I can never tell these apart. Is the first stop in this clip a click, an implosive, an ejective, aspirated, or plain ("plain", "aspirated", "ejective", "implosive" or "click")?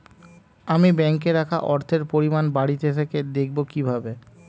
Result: plain